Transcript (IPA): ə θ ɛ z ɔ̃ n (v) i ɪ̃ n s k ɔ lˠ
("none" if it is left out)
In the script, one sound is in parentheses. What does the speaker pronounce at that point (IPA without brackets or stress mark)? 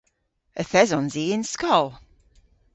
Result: z